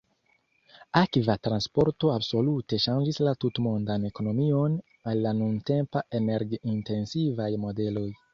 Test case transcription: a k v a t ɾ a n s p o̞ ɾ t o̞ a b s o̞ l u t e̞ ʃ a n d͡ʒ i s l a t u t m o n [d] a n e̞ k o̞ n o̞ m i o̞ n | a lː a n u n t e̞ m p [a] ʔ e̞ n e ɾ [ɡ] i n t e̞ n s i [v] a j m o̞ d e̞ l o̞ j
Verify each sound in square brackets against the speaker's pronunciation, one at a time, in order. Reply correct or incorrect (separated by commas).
correct, correct, correct, correct